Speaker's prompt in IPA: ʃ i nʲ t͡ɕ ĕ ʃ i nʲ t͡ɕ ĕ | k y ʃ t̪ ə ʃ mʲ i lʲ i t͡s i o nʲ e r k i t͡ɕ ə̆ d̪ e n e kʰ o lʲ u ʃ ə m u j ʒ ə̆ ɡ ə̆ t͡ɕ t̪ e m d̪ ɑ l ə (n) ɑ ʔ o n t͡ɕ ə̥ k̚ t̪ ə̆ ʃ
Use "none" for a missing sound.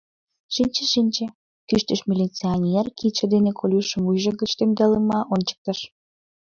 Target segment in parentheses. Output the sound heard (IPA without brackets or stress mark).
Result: m